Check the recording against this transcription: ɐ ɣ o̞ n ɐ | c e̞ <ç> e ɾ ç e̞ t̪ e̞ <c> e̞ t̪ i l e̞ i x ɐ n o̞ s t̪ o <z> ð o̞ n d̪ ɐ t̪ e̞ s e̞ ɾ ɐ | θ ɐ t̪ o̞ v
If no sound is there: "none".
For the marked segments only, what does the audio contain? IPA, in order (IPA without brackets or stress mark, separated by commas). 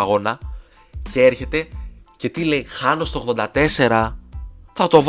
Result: none, c, ɣ